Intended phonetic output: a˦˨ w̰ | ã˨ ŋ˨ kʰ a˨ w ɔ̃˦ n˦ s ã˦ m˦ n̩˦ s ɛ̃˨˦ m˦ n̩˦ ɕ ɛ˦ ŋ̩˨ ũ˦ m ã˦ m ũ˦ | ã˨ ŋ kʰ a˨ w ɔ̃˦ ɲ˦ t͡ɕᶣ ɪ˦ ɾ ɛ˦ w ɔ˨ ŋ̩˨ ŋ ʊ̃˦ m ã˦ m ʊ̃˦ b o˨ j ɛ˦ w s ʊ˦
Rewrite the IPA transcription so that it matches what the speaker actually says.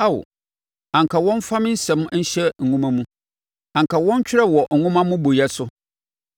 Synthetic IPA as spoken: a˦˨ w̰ | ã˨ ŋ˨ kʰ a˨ w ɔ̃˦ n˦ f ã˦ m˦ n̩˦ s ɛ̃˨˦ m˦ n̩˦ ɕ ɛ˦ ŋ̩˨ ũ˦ m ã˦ m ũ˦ | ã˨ ŋ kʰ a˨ w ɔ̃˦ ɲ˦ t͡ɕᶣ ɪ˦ ɾ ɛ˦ w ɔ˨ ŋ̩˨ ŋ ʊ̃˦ m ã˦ m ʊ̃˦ b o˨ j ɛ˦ s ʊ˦